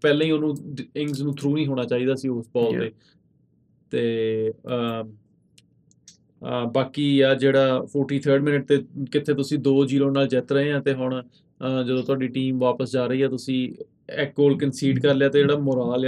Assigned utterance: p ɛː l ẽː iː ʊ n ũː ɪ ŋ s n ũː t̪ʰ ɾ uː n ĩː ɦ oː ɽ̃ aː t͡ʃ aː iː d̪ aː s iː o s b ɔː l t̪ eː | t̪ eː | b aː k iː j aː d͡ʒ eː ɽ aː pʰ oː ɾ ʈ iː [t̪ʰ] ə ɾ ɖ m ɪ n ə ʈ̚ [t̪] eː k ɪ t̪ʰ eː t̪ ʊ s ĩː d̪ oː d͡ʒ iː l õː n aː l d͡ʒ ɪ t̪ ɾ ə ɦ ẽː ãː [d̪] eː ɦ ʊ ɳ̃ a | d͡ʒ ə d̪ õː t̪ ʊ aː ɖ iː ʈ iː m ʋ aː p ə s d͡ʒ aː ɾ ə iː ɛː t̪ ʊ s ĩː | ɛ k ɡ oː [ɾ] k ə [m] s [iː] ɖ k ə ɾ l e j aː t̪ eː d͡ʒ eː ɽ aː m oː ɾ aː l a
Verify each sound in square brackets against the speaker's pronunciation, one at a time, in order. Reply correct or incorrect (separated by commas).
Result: correct, correct, incorrect, incorrect, incorrect, correct